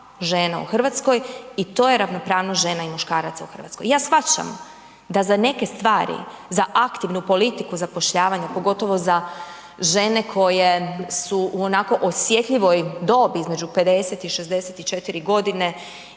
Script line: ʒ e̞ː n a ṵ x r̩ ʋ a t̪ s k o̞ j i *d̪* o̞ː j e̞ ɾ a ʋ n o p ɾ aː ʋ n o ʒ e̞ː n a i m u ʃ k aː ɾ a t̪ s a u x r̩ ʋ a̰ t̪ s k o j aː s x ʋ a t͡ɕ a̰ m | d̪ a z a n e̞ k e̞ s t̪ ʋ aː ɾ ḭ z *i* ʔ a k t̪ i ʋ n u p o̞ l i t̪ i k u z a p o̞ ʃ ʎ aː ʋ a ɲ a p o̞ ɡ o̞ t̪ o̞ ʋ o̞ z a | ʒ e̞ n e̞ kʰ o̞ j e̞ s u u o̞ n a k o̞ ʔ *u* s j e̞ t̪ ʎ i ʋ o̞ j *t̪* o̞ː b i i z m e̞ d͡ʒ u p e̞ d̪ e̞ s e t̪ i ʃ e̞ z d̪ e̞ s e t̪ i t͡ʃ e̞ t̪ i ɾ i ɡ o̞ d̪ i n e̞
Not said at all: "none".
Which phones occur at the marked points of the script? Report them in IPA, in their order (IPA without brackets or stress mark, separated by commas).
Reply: t̪, a, o, d̪